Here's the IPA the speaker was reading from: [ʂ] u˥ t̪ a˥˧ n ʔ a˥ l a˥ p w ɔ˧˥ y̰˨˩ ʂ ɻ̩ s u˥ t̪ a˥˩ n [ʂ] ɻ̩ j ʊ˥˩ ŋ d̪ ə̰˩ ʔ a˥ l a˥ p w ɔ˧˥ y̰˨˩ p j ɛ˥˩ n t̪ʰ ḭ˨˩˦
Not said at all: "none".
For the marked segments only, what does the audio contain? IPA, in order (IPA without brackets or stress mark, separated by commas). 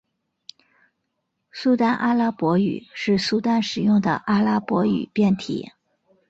s, ʂ